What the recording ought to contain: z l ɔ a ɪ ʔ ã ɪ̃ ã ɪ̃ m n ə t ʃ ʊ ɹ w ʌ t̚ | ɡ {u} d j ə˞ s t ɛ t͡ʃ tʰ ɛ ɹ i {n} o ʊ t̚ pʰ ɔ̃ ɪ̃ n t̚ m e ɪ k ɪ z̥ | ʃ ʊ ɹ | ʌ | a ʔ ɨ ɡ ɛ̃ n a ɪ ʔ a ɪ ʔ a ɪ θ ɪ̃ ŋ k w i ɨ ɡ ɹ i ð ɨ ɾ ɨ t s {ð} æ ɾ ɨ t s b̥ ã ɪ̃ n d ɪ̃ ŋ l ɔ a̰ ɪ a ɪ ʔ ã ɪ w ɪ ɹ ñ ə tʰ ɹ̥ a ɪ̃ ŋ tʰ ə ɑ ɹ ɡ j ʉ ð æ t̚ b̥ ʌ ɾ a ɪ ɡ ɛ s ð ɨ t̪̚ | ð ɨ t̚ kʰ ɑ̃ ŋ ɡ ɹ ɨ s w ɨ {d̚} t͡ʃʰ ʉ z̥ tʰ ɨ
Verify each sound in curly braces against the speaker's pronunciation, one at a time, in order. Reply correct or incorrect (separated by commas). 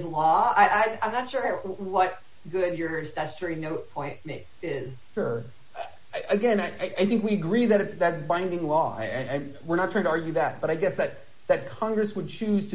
incorrect, correct, correct, correct